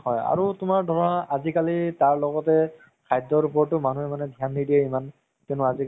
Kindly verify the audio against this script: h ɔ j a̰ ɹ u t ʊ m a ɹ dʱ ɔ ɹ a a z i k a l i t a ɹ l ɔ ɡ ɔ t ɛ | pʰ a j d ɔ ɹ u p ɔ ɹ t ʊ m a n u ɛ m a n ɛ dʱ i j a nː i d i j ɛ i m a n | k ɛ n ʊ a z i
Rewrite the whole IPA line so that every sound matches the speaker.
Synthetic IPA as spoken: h ɔ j a̰ ɹ u t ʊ m a ɹ dʱ ɔ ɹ a a z i k a l i t a ɹ l ɔ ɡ ɔ t ɛ | kʰ a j d ɔ ɹ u p ɔ ɹ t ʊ m a n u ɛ m a n ɛ dʱ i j a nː i d i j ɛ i m a n | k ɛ n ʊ a z i